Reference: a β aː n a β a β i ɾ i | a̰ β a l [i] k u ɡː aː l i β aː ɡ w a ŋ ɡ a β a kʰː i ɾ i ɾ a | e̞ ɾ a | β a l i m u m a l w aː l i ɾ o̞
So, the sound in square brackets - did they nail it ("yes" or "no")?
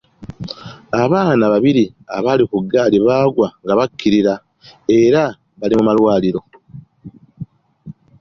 yes